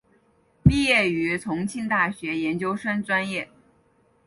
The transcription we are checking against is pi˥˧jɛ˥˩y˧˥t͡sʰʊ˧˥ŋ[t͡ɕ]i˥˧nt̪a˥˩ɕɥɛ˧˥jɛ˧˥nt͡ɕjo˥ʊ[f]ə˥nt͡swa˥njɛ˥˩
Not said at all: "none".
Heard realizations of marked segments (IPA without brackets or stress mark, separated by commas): t͡ɕʰ, ʂ